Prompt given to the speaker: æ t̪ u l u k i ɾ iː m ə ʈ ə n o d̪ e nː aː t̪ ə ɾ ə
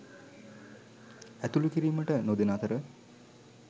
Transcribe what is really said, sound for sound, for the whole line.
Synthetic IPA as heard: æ t̪ u l u k i ɾ iː m ə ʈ ə n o d̪ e n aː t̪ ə ɾ ə

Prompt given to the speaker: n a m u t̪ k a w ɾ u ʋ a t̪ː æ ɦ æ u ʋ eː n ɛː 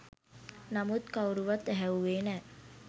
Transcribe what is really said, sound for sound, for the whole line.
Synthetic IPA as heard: n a m u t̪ k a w ɾ u ʋ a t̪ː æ ɦ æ u ʋ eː n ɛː

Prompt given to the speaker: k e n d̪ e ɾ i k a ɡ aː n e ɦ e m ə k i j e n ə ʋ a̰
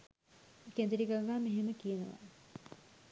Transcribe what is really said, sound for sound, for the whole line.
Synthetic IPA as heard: k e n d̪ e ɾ i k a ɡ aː m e ɦ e m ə k i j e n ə ʋ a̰

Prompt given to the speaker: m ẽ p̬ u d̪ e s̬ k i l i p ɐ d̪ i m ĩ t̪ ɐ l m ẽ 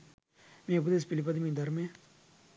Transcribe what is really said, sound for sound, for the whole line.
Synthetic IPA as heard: m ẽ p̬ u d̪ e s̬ p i l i p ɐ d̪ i m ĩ d̪ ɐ ɾ m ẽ

